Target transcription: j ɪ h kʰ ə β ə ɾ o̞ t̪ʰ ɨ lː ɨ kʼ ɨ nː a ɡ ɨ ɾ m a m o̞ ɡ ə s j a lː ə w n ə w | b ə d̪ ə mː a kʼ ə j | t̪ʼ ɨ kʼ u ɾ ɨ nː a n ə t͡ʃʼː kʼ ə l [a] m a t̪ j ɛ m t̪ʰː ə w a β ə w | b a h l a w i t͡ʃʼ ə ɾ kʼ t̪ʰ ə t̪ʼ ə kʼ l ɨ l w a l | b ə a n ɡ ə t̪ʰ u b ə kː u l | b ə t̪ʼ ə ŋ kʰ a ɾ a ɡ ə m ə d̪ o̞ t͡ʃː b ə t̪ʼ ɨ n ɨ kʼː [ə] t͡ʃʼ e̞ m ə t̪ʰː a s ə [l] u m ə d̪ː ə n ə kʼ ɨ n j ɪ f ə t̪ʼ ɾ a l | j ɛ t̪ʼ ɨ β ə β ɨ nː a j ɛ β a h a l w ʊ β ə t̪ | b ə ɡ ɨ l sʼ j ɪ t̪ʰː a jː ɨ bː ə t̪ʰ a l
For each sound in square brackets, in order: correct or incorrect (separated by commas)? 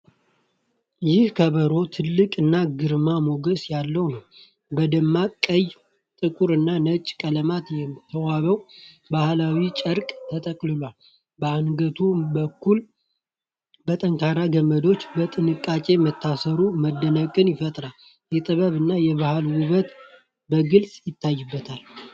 incorrect, incorrect, incorrect